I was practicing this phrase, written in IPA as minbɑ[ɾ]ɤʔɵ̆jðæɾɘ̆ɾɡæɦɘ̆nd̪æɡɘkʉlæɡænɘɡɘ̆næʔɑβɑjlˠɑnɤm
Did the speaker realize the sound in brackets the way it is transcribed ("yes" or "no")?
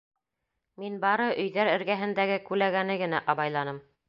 yes